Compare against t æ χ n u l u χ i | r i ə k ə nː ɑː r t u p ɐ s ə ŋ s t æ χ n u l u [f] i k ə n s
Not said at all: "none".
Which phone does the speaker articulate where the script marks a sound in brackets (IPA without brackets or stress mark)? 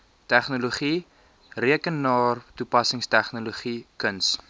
χ